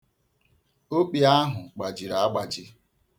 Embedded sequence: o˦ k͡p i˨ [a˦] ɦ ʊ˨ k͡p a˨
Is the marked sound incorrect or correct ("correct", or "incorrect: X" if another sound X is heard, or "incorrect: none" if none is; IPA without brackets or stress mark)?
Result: correct